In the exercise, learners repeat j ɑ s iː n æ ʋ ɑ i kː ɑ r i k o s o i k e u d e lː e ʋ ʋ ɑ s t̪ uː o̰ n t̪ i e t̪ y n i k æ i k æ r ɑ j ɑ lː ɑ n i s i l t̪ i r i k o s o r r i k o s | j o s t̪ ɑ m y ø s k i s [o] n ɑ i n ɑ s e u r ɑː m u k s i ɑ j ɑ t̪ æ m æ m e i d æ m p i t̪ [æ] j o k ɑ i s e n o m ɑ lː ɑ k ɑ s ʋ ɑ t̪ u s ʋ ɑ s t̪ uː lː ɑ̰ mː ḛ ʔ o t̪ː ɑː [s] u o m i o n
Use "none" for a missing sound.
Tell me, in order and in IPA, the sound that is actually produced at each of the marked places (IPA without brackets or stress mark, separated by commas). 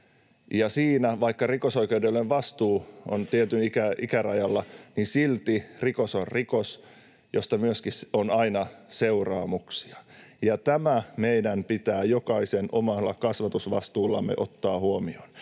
o, æː, h